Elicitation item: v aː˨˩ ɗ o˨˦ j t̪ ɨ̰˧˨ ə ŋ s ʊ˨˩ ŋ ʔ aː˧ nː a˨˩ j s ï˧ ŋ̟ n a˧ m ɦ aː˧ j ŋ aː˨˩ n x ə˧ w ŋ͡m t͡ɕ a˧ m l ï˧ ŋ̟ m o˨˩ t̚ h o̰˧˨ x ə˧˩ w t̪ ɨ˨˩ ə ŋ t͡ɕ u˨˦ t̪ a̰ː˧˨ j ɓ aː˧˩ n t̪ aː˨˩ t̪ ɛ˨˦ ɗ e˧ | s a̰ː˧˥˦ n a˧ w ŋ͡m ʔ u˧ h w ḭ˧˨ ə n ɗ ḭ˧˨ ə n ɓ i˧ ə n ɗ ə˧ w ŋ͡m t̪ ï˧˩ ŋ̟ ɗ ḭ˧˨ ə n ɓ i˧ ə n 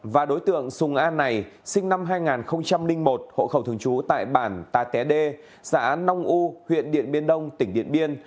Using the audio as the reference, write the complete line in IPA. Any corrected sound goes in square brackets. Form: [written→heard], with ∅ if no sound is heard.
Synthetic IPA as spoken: v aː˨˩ ɗ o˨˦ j t̪ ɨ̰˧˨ ə ŋ s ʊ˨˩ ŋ ʔ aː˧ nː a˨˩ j s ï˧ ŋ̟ n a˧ m ɦ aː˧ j ŋ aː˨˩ n x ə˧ w ŋ͡m t͡ɕ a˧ m l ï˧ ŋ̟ m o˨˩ t̚ h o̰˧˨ x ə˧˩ w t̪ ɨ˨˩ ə ŋ t͡ɕ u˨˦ t̪ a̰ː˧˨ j ɓ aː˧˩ n t̪ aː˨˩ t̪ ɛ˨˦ ɗ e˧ | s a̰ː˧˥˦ n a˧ w ŋ͡m ʔ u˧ h w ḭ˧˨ ə n ɗ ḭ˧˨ ə n ɓ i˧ ə n ɗ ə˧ w ŋ͡m t̪ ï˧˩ ŋ̟ ɗ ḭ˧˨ ə n ɓ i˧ ə n